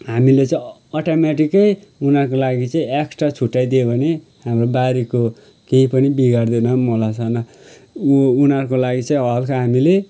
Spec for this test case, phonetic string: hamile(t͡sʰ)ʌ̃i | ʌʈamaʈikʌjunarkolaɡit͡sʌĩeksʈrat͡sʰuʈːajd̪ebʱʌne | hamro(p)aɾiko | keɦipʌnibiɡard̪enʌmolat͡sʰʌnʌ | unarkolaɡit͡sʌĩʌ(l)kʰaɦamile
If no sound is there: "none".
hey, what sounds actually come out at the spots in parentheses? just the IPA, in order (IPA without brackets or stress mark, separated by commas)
t͡s, b, l